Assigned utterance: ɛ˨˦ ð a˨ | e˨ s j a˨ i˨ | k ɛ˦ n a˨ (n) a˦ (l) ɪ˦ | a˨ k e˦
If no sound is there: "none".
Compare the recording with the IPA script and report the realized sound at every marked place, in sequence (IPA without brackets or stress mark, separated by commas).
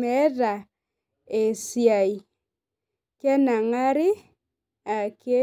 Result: ŋ, ɾ